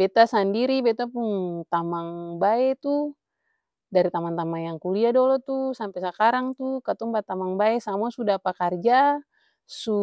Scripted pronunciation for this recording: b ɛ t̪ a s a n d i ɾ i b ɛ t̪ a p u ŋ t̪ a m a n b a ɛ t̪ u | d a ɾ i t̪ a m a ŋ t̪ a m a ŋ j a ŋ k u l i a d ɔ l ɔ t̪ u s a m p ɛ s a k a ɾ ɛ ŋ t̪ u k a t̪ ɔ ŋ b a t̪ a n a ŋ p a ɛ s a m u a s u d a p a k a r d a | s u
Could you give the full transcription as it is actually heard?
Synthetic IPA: b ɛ t̪ a s a n d i ɾ i b ɛ t̪ a p u ŋ t̪ a m a ŋ b a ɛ t̪ u | d a ɾ i t̪ a m a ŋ t̪ a m a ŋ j a ŋ k u l i a d ɔ l ɔ t̪ u s a m p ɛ s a k a ɾ a ŋ t̪ u k a t̪ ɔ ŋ b a t̪ a m a ŋ b a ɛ s a m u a s u d a p a k a r d͡ʒ a | s u

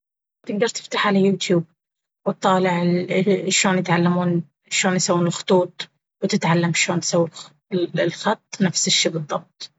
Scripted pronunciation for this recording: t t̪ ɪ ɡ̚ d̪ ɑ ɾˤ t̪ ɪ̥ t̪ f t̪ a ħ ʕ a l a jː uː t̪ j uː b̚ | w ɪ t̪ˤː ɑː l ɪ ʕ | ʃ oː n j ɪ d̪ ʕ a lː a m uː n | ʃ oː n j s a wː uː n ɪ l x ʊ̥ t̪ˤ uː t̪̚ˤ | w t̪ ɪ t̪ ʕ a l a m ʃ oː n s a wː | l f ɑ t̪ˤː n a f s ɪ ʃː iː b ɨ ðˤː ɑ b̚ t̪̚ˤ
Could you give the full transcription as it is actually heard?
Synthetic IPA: t t̪ ɪ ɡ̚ d̪ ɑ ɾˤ t̪ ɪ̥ f t̪ a ħ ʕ a l a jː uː t̪ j uː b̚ | w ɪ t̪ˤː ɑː l ɪ ʕ | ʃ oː n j ɪ t̪ ʕ a lː a m uː n | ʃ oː n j s a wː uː n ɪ l x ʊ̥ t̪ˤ uː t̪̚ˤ | w t̪ ɪ t̪ ʕ a lː a m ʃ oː n s a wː | l x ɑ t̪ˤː n a f s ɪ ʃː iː b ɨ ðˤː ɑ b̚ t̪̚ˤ

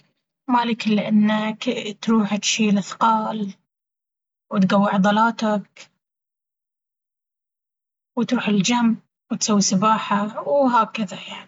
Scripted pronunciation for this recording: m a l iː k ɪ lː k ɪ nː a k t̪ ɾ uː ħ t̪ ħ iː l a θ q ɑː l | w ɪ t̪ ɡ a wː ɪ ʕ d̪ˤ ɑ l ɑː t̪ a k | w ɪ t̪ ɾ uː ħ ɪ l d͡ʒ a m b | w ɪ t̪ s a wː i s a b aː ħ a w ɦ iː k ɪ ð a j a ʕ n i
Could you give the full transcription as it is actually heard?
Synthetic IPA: m a l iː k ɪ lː ʔ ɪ nː a k t̪ ɾ uː ħ t̪ ʃ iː l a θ q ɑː l | w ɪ t̪ ɡ a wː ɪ ʕ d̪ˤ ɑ l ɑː t̪ a k | w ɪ t̪ ɾ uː ħ ɪ l d͡ʒ a m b | w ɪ t̪ s a wː i s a b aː ħ a w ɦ aː k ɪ ð a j a ʕ n i

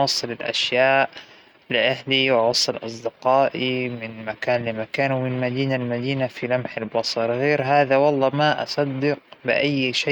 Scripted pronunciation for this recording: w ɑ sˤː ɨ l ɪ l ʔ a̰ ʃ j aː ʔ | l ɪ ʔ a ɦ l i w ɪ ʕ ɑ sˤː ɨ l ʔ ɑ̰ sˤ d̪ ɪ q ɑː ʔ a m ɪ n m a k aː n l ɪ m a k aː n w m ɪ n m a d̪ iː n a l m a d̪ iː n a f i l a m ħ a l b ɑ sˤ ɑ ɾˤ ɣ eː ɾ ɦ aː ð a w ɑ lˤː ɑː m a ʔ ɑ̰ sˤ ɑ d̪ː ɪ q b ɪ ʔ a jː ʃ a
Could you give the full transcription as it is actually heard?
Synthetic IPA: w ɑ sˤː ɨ l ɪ l ʔ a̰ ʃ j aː ʔ | l ɪ ʔ a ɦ l i w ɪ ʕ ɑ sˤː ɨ l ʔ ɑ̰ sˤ d̪ ɪ q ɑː ʔ i m ɪ n m a k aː n l ɪ m a k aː n w m ɪ n m a d̪ iː n a l m a d̪ iː n a f i l a m ħ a l b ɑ sˤ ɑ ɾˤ ɣ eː ɾ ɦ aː ð a w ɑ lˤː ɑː m a ʔ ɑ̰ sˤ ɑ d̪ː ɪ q b ɪ ʔ a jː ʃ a

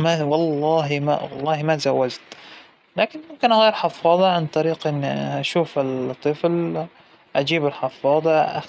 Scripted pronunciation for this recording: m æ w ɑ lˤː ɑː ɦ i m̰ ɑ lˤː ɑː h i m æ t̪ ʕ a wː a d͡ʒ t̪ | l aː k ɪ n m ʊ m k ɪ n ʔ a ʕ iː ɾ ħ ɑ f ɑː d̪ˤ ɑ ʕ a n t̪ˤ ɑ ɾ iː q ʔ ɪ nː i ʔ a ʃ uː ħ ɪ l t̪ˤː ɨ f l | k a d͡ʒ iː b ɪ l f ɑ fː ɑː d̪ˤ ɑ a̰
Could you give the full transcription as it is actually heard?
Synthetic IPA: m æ w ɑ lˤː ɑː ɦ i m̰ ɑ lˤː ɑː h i m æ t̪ z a wː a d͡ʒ t̪ | l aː k ɪ n m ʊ m k ɪ n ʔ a ɣ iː ɾ ħ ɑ f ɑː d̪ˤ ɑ ʕ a n t̪ˤ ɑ ɾ iː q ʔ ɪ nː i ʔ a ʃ uː f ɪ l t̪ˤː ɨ f l | ʔ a d͡ʒ iː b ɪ l ħ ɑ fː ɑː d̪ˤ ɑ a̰

